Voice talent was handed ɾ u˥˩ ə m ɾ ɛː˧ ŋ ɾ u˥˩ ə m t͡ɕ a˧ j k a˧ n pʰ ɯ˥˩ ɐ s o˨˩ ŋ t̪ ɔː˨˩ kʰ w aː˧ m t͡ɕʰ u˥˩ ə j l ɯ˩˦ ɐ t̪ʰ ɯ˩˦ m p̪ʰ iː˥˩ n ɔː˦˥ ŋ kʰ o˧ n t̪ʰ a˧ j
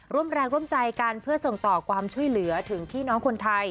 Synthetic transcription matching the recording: ɾ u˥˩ ə m ɾ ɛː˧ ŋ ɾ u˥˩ ə m t͡ɕ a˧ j k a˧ n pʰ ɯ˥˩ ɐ s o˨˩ ŋ t̪ ɔː˨˩ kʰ w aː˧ m t͡ɕʰ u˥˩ ə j l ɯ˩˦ ɐ t̪ʰ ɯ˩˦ ŋ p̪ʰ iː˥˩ n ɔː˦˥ ŋ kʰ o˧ n t̪ʰ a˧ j